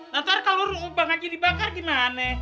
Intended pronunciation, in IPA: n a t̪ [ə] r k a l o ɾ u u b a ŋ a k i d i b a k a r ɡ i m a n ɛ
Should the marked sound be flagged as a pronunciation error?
yes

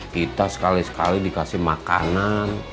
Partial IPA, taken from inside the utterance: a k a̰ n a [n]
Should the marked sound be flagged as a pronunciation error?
no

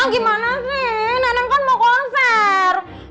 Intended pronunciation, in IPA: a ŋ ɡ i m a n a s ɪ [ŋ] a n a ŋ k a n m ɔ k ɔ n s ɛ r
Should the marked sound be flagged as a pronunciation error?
yes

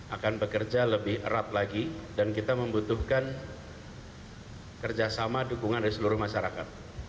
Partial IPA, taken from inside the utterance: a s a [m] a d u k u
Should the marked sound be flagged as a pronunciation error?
no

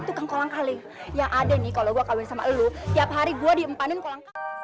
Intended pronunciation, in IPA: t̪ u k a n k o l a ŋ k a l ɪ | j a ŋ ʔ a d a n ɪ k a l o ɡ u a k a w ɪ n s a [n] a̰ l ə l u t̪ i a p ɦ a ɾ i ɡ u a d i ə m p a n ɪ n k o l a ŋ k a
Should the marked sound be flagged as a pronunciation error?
yes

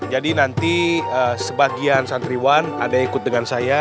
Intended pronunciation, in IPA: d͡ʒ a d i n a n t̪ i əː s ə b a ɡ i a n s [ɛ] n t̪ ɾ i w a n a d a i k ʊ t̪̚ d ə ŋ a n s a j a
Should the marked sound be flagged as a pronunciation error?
yes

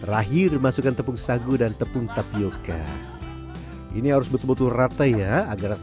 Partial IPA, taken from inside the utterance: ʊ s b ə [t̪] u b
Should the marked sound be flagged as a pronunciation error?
no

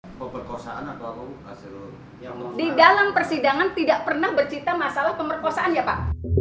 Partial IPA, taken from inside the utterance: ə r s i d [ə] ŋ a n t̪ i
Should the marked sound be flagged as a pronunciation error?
yes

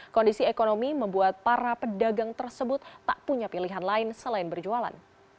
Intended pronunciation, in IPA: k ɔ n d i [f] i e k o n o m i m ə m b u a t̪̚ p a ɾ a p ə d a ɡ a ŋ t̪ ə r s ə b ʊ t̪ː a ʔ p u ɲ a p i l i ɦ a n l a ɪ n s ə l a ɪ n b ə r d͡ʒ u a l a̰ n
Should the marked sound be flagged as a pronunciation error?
yes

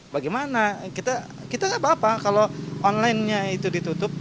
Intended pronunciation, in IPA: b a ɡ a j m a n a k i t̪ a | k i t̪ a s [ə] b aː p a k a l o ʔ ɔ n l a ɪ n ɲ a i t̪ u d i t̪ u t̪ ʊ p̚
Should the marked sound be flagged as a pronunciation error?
yes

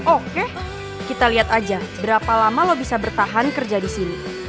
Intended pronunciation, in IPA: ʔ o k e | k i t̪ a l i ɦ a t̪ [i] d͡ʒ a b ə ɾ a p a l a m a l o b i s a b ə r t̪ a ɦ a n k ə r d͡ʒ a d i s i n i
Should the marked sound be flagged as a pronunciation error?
yes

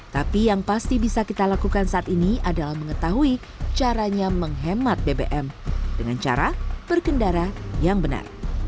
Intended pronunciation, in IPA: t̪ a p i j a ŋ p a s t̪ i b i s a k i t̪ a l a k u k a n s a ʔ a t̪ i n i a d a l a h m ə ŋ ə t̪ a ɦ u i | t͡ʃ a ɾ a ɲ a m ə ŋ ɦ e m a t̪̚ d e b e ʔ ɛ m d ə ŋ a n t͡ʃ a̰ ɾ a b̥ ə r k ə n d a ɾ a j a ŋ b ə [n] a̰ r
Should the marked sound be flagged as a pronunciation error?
no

